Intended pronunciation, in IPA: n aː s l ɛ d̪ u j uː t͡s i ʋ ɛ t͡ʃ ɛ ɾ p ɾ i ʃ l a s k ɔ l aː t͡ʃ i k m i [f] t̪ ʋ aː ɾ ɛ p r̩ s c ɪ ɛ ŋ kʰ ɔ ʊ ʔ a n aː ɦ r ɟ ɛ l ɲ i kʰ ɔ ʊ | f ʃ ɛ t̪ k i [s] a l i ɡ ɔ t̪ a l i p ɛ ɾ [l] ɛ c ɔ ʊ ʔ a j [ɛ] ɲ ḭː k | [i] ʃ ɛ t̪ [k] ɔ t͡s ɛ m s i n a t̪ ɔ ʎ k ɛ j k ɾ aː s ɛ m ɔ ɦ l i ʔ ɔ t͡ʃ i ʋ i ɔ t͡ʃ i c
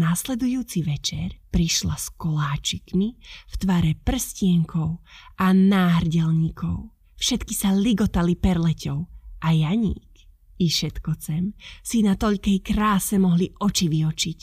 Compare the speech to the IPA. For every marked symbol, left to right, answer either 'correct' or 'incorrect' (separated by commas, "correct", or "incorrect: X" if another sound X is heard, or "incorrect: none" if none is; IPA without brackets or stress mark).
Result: correct, correct, correct, incorrect: a, correct, correct